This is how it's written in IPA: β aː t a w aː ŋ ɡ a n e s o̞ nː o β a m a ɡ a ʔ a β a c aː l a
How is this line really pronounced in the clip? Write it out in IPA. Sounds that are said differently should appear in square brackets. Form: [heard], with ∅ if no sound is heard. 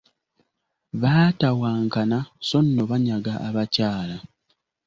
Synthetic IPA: β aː t a w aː ŋ [k] a n [a] s o̞ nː o β a [ɲ] a ɡ a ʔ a β a c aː l a